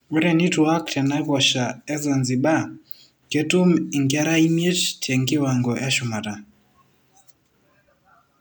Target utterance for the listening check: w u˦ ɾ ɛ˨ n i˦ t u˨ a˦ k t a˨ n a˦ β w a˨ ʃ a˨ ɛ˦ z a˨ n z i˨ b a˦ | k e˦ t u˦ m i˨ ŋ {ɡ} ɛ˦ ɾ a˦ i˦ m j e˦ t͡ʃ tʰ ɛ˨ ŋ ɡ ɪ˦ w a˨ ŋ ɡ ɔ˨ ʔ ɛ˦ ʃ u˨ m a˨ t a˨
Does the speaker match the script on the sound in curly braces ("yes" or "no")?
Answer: yes